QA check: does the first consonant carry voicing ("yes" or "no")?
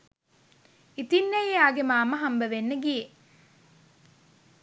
no